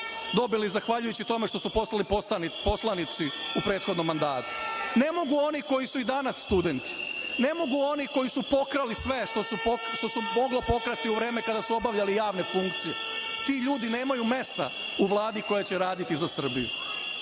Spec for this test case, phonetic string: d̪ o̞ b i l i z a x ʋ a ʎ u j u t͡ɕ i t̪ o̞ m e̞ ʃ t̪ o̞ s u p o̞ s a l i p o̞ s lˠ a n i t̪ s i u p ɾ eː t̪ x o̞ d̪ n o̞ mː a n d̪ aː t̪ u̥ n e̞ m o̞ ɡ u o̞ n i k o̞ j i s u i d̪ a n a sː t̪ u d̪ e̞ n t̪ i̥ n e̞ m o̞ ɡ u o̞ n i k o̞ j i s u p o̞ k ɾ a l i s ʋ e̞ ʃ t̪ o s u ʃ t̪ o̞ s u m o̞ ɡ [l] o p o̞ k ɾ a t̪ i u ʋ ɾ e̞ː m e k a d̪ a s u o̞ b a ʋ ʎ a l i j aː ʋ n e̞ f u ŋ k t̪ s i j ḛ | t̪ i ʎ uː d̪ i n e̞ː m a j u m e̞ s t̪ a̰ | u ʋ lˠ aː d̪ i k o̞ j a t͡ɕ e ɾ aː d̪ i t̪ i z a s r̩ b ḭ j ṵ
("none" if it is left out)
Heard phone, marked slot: l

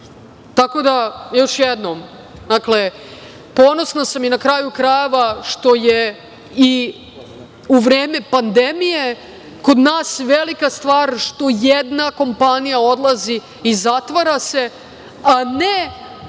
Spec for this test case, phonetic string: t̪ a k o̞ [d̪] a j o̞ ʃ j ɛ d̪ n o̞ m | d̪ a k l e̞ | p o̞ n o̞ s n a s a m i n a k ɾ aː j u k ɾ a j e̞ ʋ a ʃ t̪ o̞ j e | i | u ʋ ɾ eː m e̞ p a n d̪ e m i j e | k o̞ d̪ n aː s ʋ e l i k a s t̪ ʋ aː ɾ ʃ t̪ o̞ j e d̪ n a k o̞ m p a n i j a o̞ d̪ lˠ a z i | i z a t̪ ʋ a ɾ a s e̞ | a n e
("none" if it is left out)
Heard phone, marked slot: d̪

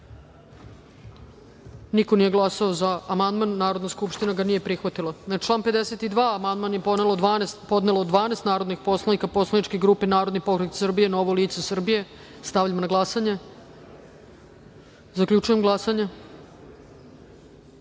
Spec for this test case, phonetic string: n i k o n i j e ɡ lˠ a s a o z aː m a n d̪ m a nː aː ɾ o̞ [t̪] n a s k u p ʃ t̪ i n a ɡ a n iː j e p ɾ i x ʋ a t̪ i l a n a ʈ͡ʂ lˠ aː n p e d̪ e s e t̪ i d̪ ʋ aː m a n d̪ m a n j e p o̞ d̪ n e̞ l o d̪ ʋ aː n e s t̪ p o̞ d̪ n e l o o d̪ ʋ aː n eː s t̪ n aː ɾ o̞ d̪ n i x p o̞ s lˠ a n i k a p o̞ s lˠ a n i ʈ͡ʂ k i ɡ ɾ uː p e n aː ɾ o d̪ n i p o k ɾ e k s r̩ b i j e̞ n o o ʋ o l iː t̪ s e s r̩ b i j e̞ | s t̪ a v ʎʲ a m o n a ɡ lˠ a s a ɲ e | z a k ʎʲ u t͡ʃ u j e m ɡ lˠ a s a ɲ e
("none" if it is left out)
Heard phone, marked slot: d̪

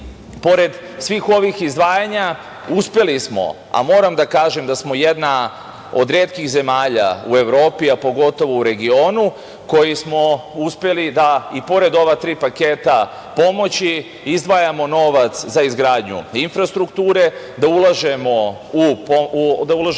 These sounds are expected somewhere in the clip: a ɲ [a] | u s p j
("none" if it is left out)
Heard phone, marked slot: a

